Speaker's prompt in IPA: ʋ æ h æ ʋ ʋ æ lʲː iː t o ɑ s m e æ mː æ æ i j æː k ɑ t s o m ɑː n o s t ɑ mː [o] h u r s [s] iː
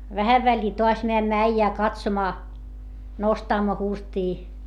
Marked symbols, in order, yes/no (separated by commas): yes, no